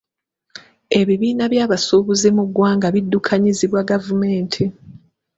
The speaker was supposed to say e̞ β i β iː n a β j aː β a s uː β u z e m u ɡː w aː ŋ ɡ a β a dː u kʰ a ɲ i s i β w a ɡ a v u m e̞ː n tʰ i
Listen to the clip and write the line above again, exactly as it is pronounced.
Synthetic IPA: e̞ β i β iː n a β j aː β a s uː β u z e m u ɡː w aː ŋ ɡ a β i dː u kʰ a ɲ i z i β w a ɡ a v u m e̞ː n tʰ i

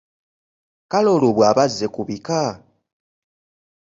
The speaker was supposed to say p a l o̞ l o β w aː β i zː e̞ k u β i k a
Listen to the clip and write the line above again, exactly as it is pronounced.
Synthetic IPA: k a l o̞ l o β w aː β a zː e̞ k u β i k a

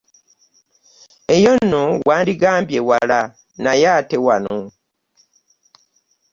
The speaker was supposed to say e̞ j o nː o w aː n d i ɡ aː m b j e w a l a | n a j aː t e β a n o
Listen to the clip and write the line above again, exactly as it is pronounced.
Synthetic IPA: e̞ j o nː o w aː n d i ɡ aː m b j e w a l a | n a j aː t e w a n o

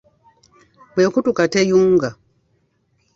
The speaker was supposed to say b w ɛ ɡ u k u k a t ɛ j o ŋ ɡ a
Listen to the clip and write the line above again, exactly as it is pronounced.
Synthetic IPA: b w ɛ k u t u k a t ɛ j u ŋ ɡ a

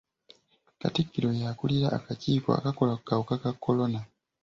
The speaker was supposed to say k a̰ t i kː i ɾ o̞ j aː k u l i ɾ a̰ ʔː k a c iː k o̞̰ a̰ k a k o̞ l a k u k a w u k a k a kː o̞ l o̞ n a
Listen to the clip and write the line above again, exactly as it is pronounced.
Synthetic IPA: k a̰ t i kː i ɾ o̞ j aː k u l i ɾ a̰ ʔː k a c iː k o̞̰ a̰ k a k o̞ l a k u k a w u k a k a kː o̞ l o̞ n a

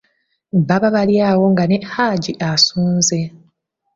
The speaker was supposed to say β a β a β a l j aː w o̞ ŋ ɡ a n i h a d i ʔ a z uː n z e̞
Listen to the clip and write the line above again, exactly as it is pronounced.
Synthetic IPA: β a β a β a l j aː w o̞ ŋ ɡ a n e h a ɟ i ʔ a s uː n z e̞

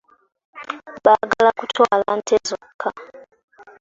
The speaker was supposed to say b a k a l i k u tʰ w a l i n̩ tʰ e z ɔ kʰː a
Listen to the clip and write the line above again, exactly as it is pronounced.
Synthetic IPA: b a ɡ a l a k u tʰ w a l a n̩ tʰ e z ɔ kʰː a

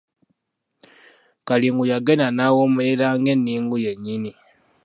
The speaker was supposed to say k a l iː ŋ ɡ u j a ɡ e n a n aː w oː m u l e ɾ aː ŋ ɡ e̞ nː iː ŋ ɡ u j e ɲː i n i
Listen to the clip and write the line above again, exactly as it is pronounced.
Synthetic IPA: k a l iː ŋ ɡ u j a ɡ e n a n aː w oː m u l e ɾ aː ŋ ɡ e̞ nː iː ŋ ɡ u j e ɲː i n i

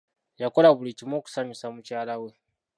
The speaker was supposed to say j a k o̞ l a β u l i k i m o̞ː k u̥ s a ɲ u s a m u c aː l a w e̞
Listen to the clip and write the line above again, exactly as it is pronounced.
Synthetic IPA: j a k o̞ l a β u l i c i m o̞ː k u̥ s a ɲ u s a m u c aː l a w e̞

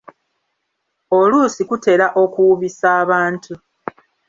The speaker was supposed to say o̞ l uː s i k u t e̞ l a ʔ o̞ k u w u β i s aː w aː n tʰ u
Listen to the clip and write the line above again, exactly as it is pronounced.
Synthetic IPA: o̞ l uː s i k u t e̞ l a ʔ o̞ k u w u β i s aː β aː n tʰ u

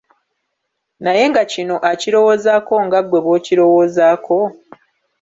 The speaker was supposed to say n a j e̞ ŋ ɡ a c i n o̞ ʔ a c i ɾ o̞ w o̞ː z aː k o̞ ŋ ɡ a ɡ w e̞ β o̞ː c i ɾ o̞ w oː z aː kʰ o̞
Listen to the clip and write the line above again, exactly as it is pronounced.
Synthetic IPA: n a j e̞ ŋ ɡ a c i n o̞ ʔ a c i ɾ o̞ w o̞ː z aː k o̞ ŋ ɡ a ɡ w e̞ β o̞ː c i ɾ o̞ w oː z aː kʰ o̞

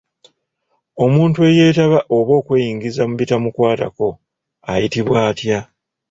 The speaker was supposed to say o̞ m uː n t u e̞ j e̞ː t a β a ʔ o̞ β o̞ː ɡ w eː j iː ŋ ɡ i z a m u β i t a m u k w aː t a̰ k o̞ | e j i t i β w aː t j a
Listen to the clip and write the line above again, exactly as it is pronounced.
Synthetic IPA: o̞ m uː n t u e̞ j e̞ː t a β a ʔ o̞ β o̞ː k w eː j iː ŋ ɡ i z a m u β i t a m u k w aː t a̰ k o̞ | a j i t i β w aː t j a

